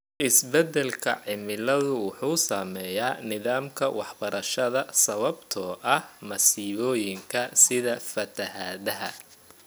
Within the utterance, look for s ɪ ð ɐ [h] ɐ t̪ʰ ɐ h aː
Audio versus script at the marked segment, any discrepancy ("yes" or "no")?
yes